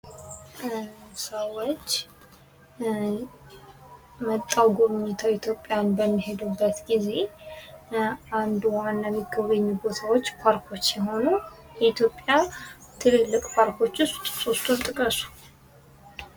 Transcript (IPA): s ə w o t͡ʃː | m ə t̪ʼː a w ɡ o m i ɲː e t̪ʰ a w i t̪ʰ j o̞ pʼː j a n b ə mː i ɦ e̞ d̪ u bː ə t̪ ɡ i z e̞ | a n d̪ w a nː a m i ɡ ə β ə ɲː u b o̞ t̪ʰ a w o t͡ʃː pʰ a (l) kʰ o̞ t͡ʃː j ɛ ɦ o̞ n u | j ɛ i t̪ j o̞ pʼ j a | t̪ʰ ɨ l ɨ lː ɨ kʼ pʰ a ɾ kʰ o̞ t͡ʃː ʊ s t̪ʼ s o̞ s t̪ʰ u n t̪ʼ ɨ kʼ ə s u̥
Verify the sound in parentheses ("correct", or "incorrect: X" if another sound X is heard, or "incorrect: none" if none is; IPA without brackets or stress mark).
incorrect: ɾ